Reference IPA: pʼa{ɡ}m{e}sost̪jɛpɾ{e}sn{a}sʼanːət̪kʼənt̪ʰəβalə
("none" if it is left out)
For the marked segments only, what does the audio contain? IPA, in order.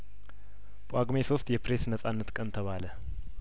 ɡ, e, e, ə

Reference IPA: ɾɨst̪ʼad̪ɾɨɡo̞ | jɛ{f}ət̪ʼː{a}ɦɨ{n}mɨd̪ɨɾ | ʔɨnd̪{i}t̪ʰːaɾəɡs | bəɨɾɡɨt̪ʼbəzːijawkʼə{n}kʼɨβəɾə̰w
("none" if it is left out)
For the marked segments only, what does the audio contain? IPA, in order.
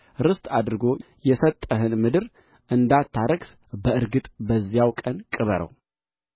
s, ə, n, a, n

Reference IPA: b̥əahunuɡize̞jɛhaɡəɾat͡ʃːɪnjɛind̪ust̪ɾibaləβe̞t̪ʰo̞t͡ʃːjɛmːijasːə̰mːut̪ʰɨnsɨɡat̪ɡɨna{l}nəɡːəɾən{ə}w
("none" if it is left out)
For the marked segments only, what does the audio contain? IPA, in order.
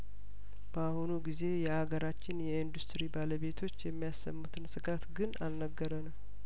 l, ə

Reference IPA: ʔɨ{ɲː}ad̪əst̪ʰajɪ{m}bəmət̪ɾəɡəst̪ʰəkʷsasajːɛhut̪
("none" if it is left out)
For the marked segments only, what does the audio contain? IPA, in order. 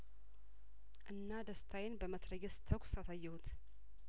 nː, n

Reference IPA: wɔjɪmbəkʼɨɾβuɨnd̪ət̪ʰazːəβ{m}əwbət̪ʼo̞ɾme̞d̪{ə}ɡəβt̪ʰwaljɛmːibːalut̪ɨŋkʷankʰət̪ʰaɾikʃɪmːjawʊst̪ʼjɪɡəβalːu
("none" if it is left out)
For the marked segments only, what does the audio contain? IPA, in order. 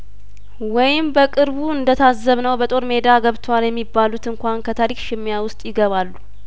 n, a

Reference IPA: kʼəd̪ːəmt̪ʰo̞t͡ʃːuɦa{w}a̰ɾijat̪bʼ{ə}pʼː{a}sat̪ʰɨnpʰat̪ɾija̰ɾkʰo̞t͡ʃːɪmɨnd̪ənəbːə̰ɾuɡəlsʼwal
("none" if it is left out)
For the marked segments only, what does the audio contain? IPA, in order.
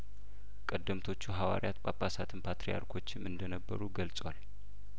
w, a, a

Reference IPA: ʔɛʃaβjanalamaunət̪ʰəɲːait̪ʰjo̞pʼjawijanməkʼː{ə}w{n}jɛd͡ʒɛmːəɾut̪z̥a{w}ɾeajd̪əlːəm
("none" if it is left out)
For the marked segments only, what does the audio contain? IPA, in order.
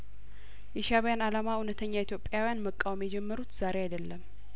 a, m, none

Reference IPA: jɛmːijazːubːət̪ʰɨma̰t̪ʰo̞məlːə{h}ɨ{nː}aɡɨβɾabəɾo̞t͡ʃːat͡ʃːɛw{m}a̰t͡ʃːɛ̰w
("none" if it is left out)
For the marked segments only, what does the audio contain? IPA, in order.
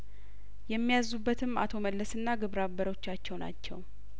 s, nː, n

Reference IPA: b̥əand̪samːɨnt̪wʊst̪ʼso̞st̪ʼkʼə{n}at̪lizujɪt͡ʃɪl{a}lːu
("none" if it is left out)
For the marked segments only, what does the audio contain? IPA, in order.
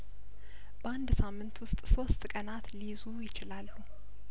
n, a

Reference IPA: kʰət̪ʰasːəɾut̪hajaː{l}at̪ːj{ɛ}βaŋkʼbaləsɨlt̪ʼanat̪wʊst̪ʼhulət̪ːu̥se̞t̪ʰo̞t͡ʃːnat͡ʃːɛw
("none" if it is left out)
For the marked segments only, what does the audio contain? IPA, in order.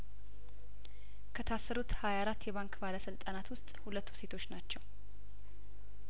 ɾ, ɛ

